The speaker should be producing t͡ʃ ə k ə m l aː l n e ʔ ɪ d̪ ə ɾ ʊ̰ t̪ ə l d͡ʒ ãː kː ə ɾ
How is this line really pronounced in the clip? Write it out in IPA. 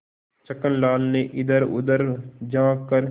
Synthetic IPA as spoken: t͡ʃ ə k ə n l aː l n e ʔ ɪ d̪ ə ɾ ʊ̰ d̪ ə ɾ d͡ʒ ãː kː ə ɾ